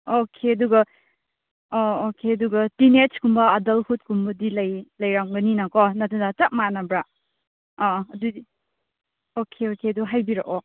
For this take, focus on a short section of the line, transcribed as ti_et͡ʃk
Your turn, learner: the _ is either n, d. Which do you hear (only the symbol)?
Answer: n